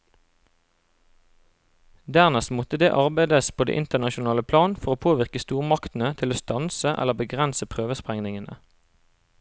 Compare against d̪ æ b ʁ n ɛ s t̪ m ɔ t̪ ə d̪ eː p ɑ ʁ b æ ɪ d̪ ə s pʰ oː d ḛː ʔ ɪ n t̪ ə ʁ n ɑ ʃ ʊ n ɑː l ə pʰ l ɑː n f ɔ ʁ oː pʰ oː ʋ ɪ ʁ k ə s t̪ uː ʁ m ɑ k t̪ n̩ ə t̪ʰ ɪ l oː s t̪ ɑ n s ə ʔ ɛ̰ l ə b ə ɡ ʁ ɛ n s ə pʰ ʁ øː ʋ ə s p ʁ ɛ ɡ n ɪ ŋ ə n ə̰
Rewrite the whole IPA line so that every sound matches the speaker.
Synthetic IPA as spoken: d̪ æ ʁ n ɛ s t̪ m ɔ t̪ ə d̪ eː ʔ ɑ ʁ b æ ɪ d̪ ə s pʰ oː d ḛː ʔ ɪ n t̪ ə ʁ n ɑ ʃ ʊ n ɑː l ə pʰ l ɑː n f ɔ ʁ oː pʰ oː ʋ ɪ ʁ k ə s t̪ uː ʁ m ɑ k t̪ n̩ ə t̪ʰ ɪ l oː s t̪ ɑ n s ə ʔ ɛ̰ l ə b ə ɡ ʁ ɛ n s ə pʰ ʁ øː ʋ ə s p ʁ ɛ ŋ n ɪ ŋ ə n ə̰